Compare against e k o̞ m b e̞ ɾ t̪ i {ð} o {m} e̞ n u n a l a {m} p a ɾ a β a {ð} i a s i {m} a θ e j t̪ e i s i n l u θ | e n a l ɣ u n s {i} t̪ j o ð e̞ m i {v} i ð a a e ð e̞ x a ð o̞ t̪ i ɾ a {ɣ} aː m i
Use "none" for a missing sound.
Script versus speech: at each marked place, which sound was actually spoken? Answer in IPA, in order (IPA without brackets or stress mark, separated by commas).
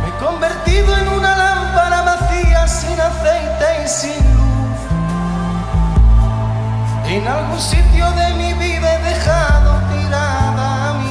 ð, none, m, θ, n, i, β, ð